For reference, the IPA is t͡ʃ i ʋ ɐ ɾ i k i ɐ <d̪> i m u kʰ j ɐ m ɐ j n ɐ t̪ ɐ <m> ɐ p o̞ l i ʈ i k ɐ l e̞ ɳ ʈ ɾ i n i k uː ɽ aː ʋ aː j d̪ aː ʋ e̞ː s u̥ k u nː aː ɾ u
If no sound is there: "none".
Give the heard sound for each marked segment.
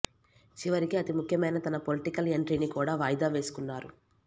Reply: t̪, n

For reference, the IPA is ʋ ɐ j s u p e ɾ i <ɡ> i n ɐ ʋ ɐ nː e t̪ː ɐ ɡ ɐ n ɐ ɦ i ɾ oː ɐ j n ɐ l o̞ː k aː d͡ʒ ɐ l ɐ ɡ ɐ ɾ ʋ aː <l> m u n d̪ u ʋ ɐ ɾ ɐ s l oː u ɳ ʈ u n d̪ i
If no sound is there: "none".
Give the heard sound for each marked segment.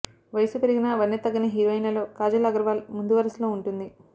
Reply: ɡ, l

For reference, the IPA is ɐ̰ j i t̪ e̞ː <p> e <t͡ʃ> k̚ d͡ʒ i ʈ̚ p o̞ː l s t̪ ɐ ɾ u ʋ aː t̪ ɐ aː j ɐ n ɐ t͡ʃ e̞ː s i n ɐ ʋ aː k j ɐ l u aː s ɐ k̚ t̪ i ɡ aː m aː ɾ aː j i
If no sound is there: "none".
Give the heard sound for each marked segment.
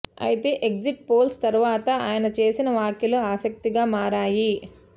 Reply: ʔ, none

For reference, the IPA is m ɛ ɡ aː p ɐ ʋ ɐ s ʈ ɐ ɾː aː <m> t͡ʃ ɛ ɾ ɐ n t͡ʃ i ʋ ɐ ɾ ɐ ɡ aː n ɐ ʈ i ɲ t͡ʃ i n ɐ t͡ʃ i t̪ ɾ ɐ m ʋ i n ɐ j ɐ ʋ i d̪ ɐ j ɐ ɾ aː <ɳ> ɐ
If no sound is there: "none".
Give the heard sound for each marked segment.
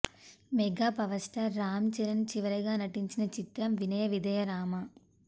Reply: m, m

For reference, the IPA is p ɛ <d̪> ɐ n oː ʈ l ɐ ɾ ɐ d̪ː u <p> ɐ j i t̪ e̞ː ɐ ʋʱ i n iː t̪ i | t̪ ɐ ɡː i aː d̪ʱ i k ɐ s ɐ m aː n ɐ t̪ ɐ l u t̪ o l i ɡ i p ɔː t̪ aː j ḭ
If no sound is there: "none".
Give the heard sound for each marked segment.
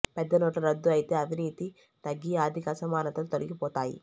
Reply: d̪ː, none

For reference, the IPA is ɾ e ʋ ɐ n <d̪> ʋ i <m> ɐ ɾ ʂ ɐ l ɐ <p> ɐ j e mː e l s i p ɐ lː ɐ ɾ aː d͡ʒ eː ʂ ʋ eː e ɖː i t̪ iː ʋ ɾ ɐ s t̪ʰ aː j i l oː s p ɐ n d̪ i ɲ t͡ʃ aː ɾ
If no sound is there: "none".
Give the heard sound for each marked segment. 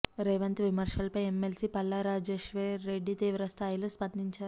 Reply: t̪, m, p

